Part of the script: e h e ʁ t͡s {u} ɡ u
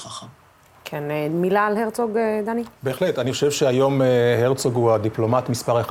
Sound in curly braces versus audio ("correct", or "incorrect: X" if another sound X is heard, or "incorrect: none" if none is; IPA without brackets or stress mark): incorrect: o